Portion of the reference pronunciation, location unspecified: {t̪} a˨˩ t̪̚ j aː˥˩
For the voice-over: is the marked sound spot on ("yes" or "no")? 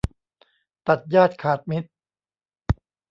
yes